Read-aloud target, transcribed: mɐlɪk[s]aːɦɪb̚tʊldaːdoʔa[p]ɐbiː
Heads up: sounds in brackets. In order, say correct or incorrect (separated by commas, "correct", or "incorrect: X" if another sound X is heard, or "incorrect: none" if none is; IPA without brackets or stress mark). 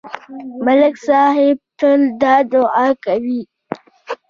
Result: correct, incorrect: k